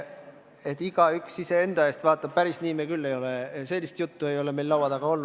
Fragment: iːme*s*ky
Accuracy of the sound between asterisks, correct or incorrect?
incorrect: none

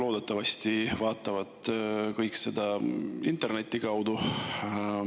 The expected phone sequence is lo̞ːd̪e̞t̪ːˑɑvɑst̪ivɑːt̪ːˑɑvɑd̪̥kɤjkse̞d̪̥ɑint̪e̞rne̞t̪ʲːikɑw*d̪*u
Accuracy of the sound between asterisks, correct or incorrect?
correct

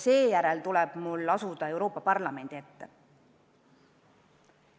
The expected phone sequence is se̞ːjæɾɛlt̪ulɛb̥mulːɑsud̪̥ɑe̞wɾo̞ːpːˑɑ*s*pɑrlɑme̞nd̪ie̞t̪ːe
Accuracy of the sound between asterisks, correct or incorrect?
incorrect: none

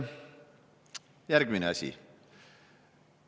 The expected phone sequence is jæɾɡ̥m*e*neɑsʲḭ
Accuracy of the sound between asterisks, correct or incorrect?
incorrect: i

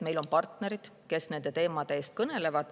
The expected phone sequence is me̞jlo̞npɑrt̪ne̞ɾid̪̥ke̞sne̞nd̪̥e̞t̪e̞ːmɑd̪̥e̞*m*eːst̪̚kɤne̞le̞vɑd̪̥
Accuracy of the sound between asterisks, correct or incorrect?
incorrect: none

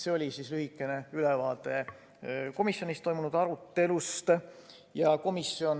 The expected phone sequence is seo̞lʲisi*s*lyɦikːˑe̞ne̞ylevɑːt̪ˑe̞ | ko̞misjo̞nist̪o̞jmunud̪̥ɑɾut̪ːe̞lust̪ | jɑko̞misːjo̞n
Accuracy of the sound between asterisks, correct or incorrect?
correct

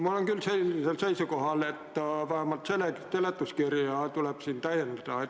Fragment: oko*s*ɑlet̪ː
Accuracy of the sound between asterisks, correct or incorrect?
incorrect: h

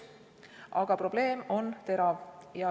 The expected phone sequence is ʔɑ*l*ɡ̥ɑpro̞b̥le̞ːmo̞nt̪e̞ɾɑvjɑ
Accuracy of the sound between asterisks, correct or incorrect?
incorrect: none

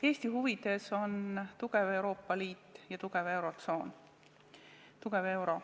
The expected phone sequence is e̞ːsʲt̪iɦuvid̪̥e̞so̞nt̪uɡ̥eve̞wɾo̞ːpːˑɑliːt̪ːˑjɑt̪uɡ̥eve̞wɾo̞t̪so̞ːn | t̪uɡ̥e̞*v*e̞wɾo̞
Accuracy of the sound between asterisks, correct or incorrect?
correct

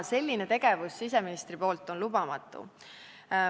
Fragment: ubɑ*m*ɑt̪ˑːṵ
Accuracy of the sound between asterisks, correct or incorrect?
correct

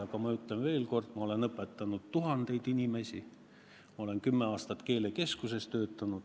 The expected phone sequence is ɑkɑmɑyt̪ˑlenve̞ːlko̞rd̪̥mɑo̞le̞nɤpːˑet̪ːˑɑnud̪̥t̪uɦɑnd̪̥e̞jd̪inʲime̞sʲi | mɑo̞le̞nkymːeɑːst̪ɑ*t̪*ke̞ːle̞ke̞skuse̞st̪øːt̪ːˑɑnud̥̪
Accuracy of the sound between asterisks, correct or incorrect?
correct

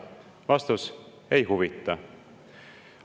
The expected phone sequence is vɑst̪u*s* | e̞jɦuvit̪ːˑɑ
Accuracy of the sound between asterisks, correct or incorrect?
correct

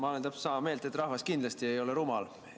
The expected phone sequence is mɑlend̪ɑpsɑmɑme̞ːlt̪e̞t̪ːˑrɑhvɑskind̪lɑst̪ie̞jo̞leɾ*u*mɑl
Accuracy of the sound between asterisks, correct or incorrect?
correct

